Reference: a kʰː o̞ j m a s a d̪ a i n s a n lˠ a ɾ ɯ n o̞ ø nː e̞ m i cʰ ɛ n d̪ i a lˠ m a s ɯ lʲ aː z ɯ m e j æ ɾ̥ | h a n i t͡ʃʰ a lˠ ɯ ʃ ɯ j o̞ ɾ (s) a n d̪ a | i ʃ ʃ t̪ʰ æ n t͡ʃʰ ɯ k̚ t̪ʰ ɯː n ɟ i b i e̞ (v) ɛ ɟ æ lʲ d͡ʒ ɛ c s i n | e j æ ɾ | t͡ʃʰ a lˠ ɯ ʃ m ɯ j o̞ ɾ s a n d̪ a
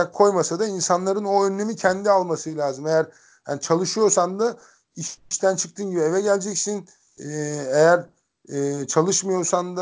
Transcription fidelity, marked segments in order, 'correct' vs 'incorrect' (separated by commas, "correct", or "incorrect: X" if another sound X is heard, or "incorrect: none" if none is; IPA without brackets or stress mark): correct, correct